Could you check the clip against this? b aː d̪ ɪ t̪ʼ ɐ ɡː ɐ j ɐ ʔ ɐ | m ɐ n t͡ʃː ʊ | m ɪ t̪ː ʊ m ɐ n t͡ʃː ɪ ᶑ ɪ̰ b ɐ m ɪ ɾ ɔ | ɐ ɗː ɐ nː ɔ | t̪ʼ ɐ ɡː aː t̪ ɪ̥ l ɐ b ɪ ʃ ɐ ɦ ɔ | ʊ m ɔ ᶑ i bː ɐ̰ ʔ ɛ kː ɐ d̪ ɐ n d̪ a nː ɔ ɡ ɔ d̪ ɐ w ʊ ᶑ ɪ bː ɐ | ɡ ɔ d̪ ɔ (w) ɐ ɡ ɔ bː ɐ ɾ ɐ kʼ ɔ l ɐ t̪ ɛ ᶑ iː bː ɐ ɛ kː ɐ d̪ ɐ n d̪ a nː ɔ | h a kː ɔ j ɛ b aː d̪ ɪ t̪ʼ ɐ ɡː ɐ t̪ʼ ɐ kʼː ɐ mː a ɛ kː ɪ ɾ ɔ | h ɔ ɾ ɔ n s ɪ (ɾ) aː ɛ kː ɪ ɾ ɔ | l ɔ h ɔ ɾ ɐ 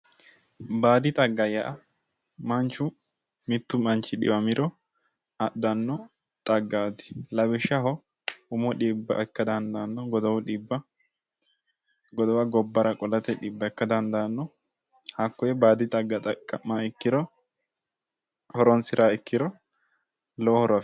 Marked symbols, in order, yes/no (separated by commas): yes, yes